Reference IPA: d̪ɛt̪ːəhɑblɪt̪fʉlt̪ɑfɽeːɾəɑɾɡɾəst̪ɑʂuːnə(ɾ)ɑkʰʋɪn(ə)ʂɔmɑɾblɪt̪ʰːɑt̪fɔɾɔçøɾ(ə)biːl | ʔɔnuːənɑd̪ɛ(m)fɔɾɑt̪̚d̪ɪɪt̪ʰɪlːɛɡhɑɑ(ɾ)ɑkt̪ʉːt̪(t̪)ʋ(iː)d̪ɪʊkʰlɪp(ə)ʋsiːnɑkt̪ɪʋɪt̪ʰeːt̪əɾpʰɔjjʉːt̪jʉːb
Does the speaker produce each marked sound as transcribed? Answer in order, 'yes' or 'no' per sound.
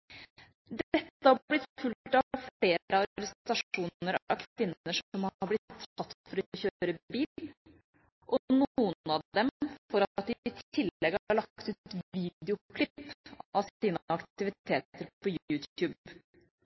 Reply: yes, yes, yes, yes, no, yes, yes, no

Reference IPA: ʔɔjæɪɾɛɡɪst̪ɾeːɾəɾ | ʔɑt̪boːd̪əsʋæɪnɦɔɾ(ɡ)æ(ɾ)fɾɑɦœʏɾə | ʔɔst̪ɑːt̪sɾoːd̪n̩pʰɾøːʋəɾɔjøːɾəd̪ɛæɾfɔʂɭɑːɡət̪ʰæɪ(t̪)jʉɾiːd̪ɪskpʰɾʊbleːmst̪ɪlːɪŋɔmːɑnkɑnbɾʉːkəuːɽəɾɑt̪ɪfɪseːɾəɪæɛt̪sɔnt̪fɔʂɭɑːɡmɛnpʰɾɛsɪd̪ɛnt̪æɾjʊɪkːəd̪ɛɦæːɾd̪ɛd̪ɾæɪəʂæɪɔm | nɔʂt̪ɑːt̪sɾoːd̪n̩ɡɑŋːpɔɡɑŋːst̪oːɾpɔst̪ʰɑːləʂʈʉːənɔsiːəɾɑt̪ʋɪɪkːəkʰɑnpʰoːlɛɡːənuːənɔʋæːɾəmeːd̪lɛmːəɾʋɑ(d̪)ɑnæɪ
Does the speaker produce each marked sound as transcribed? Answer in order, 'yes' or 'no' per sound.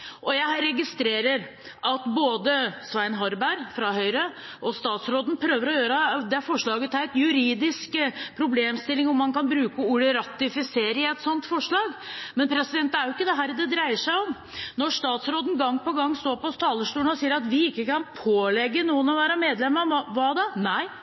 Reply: no, yes, yes, yes

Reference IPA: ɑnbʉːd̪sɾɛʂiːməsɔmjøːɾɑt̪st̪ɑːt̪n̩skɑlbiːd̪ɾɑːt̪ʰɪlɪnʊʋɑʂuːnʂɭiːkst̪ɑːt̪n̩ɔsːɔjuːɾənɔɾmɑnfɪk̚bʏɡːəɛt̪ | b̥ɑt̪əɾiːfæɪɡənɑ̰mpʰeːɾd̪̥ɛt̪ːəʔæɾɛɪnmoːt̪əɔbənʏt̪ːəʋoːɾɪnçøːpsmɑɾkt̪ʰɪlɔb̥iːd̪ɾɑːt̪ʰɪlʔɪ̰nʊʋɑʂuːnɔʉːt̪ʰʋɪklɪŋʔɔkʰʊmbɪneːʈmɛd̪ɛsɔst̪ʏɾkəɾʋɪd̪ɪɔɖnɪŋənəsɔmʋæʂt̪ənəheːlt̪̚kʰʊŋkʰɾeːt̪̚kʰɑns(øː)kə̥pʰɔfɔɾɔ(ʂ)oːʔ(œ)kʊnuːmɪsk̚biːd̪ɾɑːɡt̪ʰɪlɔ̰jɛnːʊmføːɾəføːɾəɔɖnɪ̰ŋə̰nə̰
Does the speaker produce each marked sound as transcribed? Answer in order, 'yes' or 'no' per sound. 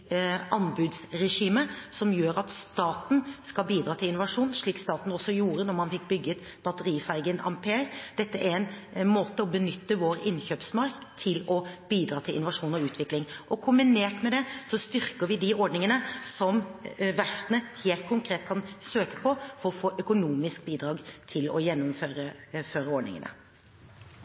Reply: yes, no, yes

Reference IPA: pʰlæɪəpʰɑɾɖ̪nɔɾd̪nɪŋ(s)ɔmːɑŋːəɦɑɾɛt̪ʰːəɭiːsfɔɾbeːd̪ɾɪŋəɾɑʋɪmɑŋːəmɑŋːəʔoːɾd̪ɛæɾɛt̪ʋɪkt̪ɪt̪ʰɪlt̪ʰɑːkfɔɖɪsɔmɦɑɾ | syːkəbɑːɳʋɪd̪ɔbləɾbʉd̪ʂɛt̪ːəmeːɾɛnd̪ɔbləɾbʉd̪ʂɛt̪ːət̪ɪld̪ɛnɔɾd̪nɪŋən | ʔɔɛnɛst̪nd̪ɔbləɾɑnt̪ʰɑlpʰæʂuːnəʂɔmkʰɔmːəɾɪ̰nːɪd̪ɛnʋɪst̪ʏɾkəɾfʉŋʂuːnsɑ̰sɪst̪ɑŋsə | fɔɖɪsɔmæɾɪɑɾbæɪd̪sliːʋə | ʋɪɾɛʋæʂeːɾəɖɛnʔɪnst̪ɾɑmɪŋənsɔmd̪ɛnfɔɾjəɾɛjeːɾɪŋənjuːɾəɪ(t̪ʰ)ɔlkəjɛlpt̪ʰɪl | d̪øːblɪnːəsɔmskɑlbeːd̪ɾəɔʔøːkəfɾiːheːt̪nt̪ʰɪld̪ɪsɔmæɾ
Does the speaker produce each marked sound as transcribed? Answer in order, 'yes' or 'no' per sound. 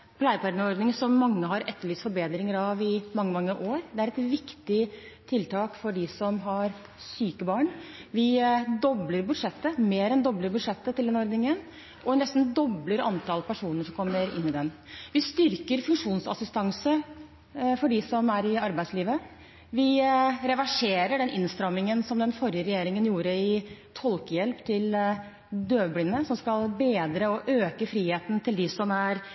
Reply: yes, yes

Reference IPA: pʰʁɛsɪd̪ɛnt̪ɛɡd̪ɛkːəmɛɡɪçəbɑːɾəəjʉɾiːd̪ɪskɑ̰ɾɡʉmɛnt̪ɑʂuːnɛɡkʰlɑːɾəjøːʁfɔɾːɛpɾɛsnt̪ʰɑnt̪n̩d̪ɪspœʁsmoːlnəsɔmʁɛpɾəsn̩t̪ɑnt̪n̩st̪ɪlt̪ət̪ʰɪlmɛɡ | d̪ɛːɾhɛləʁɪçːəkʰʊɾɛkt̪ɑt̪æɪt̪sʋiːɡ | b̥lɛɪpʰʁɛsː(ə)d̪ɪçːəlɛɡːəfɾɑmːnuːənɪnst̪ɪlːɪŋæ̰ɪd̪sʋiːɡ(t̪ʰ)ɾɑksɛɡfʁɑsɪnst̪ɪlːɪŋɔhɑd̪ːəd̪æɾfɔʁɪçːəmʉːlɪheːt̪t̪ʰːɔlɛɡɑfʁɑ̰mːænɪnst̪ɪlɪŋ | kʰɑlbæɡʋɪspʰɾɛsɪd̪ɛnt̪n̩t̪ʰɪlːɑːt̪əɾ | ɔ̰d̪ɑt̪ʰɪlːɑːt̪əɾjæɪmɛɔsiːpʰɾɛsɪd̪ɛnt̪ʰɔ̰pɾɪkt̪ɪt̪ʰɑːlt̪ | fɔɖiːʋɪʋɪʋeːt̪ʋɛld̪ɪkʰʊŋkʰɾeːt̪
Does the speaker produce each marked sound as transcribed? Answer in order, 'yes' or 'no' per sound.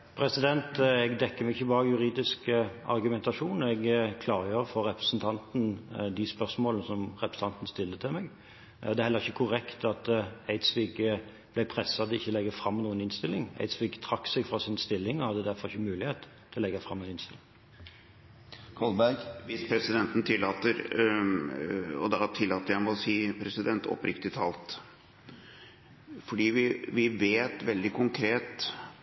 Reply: no, yes

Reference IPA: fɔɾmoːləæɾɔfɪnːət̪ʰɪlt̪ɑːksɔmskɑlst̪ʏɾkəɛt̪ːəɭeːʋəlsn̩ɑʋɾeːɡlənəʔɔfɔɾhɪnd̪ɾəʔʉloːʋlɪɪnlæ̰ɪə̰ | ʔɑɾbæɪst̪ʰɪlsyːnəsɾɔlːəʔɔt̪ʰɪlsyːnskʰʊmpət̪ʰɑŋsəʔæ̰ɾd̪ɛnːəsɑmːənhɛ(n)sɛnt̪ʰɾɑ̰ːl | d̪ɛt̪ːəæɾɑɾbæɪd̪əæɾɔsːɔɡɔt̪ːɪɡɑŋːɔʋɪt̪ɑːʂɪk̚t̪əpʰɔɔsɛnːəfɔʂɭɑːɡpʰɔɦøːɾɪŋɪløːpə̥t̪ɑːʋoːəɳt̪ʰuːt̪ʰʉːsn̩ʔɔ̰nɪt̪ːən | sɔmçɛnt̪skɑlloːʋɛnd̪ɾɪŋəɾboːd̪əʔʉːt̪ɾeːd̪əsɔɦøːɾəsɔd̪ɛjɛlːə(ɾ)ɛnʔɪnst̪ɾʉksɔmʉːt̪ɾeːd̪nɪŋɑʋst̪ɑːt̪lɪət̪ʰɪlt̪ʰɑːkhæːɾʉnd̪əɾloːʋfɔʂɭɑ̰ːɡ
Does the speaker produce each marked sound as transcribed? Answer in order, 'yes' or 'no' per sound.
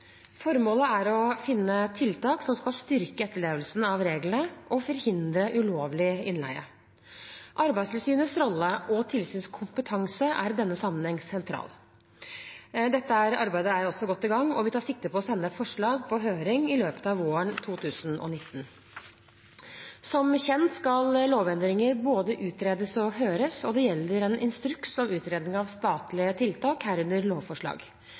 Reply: no, yes

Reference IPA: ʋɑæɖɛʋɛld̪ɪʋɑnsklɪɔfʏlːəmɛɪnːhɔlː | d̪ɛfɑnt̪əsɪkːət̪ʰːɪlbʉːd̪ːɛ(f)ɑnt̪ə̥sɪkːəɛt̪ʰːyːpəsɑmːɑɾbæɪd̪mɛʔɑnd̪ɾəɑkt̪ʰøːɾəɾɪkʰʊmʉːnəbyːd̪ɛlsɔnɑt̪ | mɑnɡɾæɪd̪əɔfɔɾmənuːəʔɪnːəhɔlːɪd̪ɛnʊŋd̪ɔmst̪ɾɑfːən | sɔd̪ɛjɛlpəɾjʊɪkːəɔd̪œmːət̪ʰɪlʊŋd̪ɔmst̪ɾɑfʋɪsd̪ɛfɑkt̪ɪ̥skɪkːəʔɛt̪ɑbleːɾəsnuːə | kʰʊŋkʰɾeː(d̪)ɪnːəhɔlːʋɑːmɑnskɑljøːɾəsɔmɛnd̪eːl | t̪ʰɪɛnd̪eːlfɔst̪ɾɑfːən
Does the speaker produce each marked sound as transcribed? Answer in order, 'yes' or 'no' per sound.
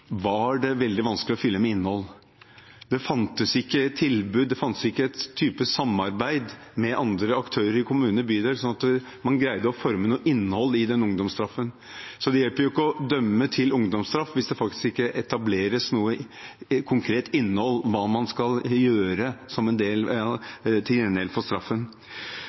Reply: yes, no

